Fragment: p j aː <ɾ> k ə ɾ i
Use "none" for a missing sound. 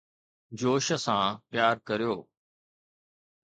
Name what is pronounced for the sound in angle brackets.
ɾ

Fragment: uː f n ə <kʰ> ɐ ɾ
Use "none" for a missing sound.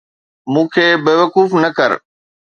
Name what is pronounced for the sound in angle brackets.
k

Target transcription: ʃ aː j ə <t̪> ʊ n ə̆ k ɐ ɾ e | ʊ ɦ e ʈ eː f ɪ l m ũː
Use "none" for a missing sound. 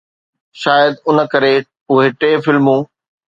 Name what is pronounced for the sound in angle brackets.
d̪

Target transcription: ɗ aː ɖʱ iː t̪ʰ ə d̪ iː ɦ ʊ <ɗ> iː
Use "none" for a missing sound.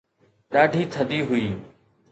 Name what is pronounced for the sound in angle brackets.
none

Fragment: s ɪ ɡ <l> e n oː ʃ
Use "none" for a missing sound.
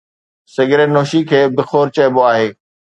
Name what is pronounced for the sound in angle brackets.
ɾ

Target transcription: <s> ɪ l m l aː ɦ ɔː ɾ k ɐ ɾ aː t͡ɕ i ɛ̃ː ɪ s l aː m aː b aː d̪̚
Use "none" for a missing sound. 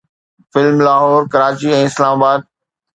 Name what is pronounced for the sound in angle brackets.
f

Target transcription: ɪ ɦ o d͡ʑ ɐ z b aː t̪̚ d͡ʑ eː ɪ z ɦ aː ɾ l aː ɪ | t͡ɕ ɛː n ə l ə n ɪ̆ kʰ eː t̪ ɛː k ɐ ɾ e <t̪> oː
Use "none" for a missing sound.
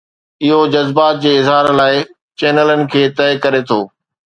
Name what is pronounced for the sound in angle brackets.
t̪ʰ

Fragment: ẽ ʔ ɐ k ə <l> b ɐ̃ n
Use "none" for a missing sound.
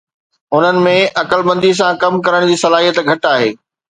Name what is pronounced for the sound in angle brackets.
l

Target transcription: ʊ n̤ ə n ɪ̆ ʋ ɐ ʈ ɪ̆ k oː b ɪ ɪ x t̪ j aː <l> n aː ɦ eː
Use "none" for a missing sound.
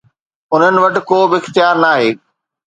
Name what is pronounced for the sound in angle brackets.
ɾ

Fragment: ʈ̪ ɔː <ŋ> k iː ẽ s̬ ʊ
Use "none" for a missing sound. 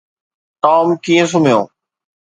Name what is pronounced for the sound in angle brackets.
m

